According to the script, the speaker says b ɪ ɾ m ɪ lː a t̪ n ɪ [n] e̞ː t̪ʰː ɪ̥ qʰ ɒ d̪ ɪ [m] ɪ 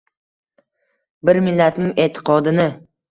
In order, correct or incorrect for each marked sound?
incorrect: ŋ, incorrect: n

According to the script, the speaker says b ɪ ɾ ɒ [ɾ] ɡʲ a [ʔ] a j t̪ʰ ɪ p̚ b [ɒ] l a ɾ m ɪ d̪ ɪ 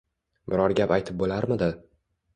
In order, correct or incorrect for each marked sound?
correct, incorrect: p, incorrect: o

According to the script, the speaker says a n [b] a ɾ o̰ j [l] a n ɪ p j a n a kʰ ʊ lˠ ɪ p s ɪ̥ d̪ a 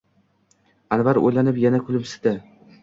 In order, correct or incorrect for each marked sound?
incorrect: v, correct

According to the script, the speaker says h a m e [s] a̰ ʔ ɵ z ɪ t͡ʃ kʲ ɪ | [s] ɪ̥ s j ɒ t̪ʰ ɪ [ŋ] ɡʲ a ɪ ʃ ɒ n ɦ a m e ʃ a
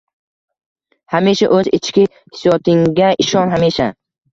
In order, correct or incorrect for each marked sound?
incorrect: ʃ, incorrect: h, correct

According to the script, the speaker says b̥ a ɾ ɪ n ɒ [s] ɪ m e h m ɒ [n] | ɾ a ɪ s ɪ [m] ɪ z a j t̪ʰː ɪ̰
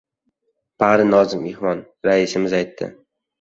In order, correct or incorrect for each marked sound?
incorrect: z, correct, correct

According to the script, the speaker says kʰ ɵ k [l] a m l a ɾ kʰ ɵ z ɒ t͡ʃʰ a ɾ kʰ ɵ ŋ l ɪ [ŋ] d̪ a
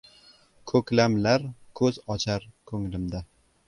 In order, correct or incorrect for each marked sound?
correct, incorrect: m

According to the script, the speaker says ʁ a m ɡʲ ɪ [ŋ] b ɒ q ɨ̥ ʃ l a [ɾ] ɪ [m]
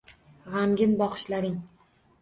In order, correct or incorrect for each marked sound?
incorrect: n, correct, incorrect: ŋ

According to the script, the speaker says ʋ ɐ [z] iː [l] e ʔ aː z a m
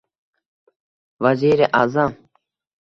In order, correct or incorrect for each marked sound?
correct, incorrect: ɾ

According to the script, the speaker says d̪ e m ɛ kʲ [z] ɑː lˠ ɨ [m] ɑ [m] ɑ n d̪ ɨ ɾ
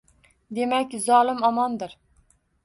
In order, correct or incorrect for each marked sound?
correct, correct, correct

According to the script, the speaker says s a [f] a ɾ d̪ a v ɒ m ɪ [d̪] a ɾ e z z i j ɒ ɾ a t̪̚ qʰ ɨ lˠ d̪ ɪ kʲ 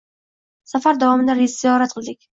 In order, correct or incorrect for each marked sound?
correct, correct

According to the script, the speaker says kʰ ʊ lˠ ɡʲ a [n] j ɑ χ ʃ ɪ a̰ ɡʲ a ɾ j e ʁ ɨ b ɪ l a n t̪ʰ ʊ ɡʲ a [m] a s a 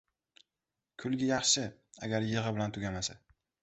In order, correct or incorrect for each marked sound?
incorrect: none, correct

